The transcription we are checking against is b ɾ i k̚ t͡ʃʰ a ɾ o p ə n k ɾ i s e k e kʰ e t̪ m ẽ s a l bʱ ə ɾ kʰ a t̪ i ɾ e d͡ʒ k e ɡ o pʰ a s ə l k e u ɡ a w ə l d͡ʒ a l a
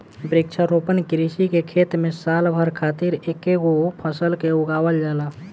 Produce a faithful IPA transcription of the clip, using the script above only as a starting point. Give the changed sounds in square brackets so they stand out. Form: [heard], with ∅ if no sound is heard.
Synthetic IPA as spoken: b ɾ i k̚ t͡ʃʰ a ɾ o p ə n k ɾ i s [i] k e kʰ e t̪ m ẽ s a l bʱ ə ɾ kʰ a t̪ i ɾ e [∅] k e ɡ o pʰ [ə] s ə l k e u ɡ a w ə l d͡ʒ a l a

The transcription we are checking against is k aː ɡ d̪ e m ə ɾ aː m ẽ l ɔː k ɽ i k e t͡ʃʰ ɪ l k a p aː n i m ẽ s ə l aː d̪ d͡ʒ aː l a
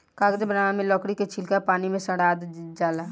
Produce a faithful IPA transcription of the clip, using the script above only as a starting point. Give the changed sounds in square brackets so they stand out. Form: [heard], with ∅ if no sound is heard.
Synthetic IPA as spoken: k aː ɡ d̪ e [b] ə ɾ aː m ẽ l ɔː k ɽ i k e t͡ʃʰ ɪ l k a p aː n i m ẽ s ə [ɽ] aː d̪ d͡ʒ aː l a

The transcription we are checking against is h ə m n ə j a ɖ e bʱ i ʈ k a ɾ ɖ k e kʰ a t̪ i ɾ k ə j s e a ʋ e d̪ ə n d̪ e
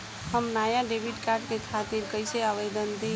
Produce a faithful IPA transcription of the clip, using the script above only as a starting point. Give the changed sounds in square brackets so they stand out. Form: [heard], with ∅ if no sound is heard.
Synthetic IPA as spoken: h ə m n [a] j a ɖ e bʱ i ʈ k a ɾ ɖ k e kʰ a t̪ i ɾ k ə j s e a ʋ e d̪ ə n d̪ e

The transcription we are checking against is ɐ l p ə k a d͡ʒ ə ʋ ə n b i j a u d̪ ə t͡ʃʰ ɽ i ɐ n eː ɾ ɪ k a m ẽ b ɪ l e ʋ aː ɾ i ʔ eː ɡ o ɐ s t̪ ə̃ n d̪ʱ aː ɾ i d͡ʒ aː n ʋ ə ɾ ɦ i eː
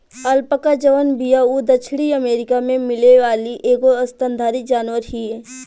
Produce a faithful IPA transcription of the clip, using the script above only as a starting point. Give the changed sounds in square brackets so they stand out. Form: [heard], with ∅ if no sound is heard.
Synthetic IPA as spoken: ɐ l p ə k a d͡ʒ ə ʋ ə n b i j a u d̪ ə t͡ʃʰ ɽ i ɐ [m] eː ɾ ɪ k a m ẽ [m] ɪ l e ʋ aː [l] i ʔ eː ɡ o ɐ s t̪ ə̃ n d̪ʱ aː ɾ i d͡ʒ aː n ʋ ə ɾ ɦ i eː

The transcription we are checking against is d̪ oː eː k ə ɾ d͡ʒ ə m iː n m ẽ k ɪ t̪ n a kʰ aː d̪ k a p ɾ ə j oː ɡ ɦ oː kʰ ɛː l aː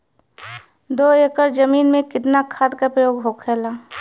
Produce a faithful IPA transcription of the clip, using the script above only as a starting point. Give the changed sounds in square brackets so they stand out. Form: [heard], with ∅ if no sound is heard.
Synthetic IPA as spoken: d̪ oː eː k ə ɾ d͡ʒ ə m iː n m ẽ k ɪ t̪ n a kʰ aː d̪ k a p ɾ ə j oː ɡ ɦ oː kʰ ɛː l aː

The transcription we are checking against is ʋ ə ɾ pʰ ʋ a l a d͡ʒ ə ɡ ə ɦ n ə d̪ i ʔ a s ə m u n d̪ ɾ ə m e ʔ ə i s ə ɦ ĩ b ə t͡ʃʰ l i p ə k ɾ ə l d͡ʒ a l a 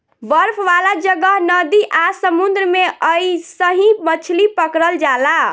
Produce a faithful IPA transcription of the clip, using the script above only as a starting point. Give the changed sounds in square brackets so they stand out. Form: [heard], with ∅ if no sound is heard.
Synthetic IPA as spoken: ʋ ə ɾ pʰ ʋ a l a d͡ʒ ə ɡ ə ɦ n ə d̪ i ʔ a s ə m u n d̪ ɾ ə m e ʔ ə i s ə ɦ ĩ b ə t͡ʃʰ l i p ə k ɾ ə l d͡ʒ a l a

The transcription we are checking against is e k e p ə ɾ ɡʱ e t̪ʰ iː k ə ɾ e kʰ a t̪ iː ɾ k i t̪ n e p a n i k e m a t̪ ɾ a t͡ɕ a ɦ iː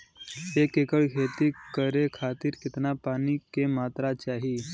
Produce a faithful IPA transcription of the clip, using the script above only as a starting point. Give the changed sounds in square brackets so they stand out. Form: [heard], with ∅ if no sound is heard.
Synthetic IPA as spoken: e k e [k] ə [ɭ] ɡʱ e [t̪] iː k ə ɾ e kʰ a t̪ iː ɾ k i t̪ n [a] p a n i k e m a t̪ ɾ a t͡ɕ a ɦ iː

